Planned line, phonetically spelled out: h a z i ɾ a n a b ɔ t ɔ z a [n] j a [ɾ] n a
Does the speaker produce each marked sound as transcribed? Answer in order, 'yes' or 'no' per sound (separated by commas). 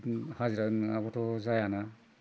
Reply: no, no